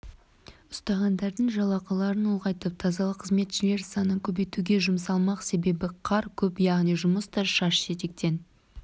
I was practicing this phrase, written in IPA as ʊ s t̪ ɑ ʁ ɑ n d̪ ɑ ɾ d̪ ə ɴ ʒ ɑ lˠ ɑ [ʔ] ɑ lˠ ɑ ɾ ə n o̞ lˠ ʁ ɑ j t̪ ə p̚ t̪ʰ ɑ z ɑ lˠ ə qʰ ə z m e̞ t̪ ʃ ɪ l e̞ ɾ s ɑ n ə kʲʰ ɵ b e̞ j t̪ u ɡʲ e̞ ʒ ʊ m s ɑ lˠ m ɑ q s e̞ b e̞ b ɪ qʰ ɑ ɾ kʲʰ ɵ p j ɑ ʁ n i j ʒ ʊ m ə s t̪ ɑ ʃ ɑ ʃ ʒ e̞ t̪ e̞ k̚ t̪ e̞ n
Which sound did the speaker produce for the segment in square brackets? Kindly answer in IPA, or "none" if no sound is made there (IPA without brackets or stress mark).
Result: q